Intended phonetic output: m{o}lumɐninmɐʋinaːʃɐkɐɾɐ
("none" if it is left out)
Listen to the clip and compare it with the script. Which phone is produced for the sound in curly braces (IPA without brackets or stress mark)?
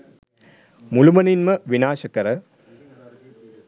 u